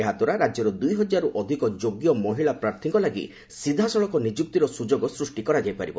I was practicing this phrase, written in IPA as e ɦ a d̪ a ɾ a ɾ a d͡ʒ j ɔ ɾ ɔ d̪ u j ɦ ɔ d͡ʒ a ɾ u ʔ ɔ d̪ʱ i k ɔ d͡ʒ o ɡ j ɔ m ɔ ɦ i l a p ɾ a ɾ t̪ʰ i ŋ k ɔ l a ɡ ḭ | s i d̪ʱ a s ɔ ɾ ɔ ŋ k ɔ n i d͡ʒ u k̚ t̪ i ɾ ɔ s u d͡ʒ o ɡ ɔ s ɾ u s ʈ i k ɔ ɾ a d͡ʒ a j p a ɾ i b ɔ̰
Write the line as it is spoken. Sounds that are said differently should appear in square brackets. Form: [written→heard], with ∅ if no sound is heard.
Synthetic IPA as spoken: e ɦ a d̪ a ɾ a ɾ a d͡ʒ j ɔ ɾ ɔ d̪ u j ɦ ɔ d͡ʒ a ɾ u ʔ ɔ d̪ʱ i k ɔ d͡ʒ o ɡ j ɔ m ɔ ɦ i [l→ɭ] a p ɾ a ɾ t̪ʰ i ŋ k ɔ l a ɡ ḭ | s i d̪ʱ a s ɔ [ɾ→ɭ] ɔ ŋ k ɔ n i d͡ʒ u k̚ t̪ i ɾ ɔ s u d͡ʒ o ɡ ɔ s ɾ u s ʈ i k ɔ ɾ a d͡ʒ a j p a ɾ i b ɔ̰